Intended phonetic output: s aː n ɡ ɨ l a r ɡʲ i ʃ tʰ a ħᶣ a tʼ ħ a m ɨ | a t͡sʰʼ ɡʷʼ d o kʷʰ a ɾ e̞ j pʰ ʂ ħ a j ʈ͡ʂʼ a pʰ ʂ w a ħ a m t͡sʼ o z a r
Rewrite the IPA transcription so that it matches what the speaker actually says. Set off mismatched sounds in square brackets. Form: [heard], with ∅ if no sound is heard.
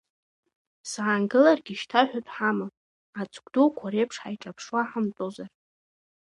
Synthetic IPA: s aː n ɡ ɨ l a r ɡʲ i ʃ tʰ a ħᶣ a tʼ ħ a m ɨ | a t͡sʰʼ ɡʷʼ d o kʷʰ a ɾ e̞ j pʰ ʂ ħ a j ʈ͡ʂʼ a pʰ ʂ w a ħ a m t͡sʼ o z a r